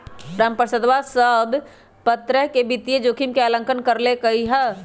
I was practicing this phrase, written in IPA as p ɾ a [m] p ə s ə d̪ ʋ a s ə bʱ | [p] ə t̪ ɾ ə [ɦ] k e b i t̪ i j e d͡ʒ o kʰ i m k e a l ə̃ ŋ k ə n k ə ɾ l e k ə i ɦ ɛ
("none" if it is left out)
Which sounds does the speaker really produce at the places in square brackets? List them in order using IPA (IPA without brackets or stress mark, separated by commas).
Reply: m, p, ɦ